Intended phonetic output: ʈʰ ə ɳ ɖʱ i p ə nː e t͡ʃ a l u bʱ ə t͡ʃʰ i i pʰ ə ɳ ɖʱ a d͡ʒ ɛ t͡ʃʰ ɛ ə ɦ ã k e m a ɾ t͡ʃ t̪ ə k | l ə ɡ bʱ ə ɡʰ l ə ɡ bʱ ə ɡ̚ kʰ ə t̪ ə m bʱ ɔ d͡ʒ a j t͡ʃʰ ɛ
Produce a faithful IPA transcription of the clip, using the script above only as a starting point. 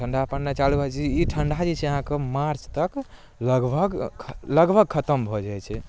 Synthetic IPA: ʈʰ ə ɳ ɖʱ a p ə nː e t͡ʃ a l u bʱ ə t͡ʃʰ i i ʈʰ ə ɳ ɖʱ a d͡ʒ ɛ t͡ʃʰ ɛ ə ɦ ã k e m a ɾ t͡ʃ t̪ ə k | l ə ɡ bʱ ə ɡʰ l ə ɡ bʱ ə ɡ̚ kʰ ə t̪ ə m bʱ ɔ d͡ʒ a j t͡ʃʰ ɛ